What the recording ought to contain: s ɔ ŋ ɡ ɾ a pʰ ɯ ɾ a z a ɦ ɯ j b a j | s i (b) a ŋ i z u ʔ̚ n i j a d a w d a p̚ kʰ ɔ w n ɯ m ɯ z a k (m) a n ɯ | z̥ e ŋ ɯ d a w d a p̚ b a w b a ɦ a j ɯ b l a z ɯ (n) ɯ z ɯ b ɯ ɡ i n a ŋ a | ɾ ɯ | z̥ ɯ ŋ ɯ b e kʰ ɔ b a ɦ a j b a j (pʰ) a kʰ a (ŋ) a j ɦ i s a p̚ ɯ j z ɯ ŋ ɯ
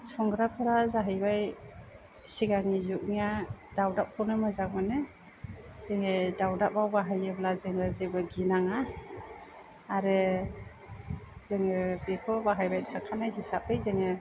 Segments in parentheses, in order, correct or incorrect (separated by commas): incorrect, correct, incorrect, incorrect, incorrect